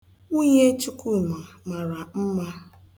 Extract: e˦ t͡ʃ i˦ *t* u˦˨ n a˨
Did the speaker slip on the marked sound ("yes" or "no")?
yes